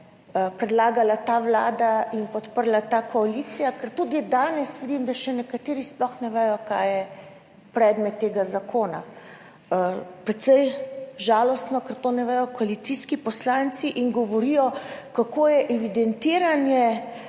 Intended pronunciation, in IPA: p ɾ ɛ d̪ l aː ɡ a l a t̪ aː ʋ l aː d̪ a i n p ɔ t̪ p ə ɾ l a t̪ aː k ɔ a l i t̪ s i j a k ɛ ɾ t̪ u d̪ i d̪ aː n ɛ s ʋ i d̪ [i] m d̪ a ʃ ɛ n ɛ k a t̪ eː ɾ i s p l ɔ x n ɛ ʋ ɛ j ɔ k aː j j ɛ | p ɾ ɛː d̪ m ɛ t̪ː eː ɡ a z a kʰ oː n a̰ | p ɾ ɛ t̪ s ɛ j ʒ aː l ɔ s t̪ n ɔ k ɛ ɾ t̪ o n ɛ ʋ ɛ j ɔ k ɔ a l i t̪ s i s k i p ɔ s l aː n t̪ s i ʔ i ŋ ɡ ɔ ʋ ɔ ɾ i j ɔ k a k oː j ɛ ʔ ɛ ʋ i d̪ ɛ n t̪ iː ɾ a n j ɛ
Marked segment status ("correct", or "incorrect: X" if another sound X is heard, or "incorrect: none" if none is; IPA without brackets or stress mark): correct